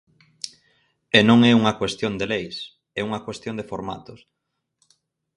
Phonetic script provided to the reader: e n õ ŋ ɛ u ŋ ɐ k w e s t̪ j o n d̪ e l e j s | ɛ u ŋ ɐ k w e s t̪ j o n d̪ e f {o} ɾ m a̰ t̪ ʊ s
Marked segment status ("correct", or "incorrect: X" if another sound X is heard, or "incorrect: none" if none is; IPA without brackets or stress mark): correct